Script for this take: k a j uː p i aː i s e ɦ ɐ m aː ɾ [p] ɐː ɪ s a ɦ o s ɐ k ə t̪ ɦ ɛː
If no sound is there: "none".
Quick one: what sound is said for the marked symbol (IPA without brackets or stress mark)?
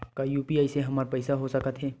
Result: p